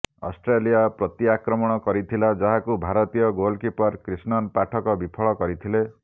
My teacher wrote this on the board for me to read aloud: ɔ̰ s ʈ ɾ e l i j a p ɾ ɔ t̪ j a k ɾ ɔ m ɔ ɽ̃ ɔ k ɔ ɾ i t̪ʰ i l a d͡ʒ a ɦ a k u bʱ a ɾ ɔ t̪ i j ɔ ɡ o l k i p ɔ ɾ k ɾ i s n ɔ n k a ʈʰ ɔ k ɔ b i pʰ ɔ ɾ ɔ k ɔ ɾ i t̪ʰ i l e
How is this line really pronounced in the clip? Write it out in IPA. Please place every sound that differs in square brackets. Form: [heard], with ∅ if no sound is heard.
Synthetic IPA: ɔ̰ s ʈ ɾ e l i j a p ɾ ɔ t̪ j a k ɾ ɔ m ɔ ɽ̃ ɔ k ɔ ɾ i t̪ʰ i l a d͡ʒ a ɦ a k u bʱ a ɾ ɔ t̪ i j ɔ ɡ o l k i p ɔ ɾ k ɾ i s n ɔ n [p] a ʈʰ ɔ k ɔ b i pʰ ɔ [ɭ] ɔ k ɔ ɾ i t̪ʰ i l e